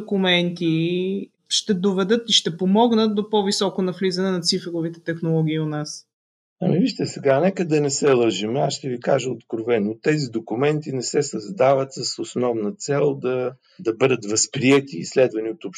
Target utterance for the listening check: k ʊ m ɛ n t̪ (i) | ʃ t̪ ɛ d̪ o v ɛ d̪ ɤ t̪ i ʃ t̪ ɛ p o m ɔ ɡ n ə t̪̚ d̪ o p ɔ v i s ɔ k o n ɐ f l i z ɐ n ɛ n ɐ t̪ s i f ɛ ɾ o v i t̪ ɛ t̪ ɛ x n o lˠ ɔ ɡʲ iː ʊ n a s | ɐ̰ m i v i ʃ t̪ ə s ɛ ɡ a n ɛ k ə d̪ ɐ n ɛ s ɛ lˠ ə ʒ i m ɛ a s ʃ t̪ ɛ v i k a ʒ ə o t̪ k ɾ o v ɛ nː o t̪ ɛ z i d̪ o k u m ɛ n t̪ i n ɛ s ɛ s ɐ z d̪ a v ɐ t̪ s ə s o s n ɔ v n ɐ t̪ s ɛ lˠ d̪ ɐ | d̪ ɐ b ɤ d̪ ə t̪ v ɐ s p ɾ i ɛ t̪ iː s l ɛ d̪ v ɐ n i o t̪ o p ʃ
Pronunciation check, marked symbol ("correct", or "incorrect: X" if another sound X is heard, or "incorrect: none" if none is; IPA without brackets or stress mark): correct